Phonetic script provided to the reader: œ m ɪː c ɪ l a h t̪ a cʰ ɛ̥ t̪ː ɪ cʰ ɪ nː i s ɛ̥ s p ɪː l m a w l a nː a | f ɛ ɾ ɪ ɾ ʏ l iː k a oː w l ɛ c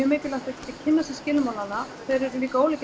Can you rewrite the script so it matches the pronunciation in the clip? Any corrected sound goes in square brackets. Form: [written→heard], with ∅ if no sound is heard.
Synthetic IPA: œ m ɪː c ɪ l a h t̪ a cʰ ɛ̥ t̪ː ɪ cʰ ɪ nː [i→a] s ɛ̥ s [p→c] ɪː l m a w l a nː a | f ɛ ɾ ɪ ɾ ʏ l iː k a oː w l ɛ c